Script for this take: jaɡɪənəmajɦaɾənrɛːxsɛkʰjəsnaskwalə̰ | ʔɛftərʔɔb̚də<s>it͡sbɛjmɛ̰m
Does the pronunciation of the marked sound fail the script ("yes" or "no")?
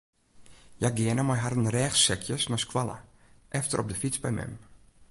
yes